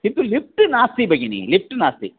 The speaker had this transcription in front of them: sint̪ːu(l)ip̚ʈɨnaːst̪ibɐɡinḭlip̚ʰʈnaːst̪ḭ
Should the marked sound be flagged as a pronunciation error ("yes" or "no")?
no